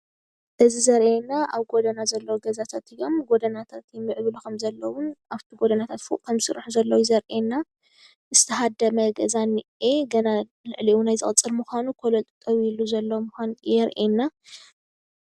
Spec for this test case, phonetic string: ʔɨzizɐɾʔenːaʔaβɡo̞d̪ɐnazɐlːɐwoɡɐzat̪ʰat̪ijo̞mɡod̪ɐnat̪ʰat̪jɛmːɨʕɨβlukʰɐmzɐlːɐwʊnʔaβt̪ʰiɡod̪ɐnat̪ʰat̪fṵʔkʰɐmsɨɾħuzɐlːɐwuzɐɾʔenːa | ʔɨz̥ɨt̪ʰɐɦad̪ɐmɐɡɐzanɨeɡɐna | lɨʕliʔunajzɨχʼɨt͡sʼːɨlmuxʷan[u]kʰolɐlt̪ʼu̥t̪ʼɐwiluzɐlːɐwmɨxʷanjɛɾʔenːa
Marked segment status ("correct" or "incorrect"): correct